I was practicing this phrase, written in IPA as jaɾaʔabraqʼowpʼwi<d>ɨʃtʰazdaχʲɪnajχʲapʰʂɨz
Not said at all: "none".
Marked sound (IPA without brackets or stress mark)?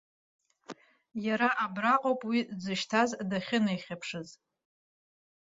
d͡z